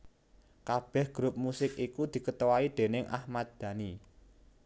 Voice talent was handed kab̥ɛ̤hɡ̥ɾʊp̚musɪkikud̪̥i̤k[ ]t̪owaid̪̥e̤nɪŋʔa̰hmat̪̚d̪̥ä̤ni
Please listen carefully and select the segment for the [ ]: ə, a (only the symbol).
ə